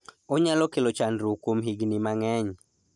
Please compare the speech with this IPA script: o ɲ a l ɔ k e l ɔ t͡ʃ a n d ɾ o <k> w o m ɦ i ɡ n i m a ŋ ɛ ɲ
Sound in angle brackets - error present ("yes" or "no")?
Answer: no